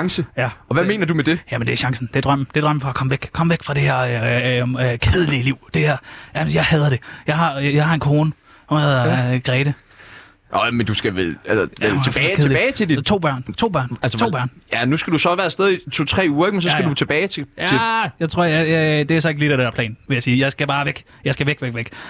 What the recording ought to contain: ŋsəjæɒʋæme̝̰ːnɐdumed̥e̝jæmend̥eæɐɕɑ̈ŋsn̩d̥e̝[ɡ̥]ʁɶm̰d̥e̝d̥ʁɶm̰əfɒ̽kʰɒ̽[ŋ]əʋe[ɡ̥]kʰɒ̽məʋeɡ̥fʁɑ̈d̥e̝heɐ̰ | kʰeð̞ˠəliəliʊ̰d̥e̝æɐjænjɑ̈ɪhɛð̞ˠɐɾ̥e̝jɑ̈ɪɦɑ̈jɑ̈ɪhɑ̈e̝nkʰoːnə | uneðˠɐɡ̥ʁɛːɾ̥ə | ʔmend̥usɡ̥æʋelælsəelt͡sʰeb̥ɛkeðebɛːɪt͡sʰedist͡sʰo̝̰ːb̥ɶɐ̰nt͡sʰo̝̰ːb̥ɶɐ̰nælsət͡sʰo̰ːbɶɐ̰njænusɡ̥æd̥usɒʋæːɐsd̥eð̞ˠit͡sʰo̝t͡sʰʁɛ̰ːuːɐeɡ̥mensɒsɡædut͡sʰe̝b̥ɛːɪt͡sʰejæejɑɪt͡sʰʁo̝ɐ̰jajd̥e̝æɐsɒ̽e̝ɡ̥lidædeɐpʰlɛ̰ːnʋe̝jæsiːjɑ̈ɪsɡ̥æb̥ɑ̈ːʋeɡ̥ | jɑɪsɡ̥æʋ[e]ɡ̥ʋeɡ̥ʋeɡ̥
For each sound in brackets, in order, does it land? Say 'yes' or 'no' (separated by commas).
no, no, yes, yes